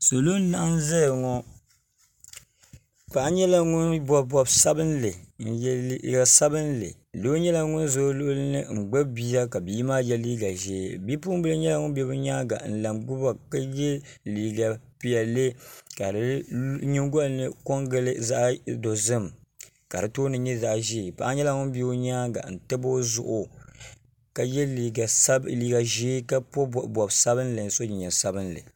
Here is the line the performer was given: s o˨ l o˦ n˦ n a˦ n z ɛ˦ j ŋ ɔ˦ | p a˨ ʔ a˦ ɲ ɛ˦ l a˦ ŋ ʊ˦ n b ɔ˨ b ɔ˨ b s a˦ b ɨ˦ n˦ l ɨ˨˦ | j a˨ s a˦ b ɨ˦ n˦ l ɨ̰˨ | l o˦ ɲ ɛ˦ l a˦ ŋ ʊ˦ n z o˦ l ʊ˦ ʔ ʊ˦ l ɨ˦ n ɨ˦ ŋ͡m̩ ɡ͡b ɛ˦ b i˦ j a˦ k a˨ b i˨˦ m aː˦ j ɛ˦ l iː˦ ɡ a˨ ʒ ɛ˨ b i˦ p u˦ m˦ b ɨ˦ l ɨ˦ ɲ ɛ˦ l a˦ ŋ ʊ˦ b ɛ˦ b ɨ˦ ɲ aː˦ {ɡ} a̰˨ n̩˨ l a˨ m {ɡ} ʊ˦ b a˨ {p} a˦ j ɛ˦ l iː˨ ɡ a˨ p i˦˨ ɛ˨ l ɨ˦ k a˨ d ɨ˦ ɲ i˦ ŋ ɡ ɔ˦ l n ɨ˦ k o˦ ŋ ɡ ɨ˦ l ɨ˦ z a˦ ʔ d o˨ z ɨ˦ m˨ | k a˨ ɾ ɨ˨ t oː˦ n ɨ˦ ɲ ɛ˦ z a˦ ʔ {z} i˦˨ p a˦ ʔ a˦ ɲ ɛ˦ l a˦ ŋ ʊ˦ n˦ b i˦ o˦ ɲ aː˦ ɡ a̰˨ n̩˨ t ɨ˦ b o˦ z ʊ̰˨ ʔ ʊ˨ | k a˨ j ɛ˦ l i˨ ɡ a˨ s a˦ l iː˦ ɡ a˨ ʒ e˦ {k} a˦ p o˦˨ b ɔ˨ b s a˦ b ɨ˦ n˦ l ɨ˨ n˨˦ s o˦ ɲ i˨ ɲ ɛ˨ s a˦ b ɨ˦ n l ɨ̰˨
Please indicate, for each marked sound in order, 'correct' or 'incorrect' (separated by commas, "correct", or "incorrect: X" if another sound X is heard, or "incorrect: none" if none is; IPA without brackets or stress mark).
correct, correct, incorrect: k, incorrect: ʒ, correct